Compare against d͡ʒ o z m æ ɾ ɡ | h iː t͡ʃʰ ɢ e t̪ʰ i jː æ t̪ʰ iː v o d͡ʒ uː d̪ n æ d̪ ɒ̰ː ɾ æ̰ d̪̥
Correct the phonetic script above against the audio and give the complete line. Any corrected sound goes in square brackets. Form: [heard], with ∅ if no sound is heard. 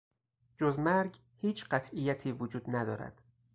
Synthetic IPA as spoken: d͡ʒ o z m æ ɾ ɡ | h iː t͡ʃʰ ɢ [æ] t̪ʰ i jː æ t̪ʰ iː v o d͡ʒ uː d̪ n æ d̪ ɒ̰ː ɾ æ̰ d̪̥

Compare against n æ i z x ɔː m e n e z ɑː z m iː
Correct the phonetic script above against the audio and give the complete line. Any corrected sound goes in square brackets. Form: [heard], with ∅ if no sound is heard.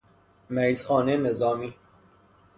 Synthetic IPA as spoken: [m] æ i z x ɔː [n] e n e z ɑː [∅] m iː

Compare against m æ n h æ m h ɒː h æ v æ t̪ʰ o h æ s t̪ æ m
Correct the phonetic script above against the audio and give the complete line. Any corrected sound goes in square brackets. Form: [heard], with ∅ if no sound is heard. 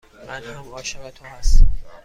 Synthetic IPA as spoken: m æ n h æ m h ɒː [ʃ] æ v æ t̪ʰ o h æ s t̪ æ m

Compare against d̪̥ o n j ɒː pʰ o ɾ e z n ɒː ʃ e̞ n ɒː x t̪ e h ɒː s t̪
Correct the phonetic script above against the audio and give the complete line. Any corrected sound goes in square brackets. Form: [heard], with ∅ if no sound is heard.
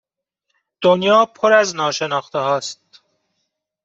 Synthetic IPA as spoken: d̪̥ o n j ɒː pʰ o ɾ [æ] z n ɒː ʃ e̞ n ɒː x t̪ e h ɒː s t̪

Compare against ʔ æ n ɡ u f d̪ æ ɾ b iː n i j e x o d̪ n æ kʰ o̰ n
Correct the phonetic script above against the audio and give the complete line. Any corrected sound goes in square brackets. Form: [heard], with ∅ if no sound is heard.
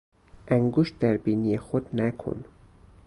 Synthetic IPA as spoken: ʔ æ [ŋ] ɡ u [ʃ] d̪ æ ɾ b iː n i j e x o d̪ n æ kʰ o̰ n

